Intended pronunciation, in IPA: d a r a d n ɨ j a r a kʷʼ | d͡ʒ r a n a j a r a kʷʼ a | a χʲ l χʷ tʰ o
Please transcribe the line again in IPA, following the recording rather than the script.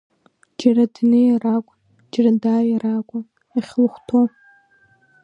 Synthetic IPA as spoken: d͡ʒ a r a d n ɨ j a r a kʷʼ | d͡ʒ r a d a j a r a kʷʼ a | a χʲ l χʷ tʰ o